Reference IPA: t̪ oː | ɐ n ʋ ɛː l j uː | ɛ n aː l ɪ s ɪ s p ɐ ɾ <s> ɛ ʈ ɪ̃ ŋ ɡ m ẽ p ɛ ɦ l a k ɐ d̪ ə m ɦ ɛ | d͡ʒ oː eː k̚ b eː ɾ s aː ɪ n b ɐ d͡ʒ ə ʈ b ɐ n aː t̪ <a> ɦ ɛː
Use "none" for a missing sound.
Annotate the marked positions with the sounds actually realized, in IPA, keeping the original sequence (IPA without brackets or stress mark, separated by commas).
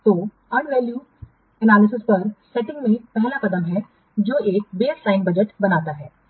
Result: s, a